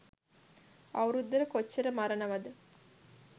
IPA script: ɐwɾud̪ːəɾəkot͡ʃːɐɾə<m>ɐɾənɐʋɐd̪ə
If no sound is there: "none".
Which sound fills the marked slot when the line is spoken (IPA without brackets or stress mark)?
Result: m